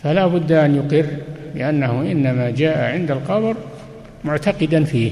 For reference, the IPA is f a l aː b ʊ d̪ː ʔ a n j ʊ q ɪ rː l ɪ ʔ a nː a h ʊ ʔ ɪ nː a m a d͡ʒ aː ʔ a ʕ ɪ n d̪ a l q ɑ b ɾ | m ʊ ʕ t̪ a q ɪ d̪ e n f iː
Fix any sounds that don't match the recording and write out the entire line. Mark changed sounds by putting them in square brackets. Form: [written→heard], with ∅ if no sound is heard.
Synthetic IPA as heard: f a l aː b ʊ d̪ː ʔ a n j ʊ q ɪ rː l ɪ ʔ a nː a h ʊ ʔ ɪ nː a m a d͡ʒ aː ʔ a ʕ ɪ n d̪ a l q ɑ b ɾ | m ʊ ʕ t̪ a q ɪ d̪ [e→a] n f iː